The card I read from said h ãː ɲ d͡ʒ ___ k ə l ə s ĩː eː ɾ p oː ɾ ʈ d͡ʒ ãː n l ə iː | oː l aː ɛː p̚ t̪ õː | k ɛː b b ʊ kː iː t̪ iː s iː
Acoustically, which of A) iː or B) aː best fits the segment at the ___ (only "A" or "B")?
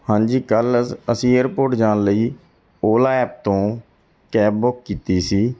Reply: A